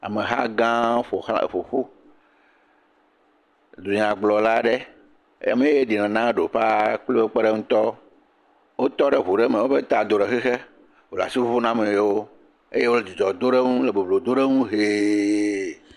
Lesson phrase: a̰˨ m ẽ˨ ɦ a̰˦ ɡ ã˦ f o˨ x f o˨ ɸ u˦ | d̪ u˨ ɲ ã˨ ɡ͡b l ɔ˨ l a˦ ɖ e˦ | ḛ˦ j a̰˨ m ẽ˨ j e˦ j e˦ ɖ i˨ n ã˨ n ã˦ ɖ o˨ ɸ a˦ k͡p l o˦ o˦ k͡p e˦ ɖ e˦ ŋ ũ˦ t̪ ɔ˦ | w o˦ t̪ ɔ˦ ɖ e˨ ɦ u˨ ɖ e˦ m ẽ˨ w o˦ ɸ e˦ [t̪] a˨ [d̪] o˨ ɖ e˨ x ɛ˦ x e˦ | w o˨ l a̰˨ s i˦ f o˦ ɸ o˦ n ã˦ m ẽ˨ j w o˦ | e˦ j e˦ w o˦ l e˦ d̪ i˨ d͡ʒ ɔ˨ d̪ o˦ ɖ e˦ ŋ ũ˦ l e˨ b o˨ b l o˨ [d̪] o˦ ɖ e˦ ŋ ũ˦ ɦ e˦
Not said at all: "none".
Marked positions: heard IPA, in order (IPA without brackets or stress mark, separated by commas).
t̪, d̪, d̪